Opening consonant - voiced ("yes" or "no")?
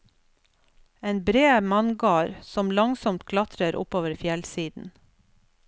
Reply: yes